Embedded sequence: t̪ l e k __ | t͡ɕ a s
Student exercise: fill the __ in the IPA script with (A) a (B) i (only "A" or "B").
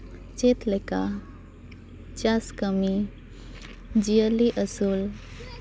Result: A